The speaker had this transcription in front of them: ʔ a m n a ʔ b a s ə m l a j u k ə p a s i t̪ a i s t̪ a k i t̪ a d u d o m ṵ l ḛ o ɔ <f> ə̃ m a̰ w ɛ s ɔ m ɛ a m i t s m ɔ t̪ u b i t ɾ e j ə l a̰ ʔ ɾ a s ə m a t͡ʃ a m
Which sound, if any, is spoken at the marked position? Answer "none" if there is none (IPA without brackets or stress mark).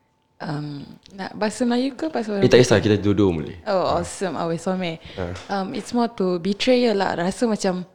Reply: s